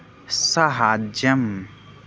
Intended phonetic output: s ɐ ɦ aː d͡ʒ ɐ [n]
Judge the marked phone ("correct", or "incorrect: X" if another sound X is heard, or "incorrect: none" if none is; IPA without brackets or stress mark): incorrect: m